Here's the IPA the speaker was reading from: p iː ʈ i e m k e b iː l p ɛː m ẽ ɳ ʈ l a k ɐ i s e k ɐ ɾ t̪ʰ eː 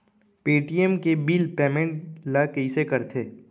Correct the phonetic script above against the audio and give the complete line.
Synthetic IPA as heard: p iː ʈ i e m k e b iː l p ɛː m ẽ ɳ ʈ l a k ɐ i s e k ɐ ɾ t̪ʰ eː